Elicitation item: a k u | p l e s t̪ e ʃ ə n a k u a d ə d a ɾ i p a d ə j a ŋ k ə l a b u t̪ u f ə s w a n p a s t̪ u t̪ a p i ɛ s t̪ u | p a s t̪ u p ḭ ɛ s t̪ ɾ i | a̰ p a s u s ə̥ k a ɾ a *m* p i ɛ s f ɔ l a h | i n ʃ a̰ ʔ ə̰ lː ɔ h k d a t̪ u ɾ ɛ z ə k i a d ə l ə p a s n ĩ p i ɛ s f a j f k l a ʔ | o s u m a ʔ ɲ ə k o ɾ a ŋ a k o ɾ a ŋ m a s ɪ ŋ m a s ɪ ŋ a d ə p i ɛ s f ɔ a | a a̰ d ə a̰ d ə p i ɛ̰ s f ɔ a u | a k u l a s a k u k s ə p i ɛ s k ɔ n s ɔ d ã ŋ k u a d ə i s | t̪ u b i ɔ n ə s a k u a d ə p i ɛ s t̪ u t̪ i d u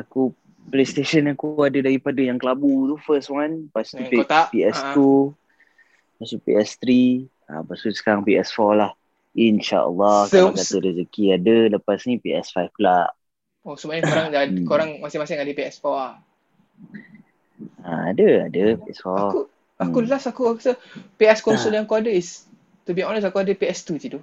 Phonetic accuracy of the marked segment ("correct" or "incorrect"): incorrect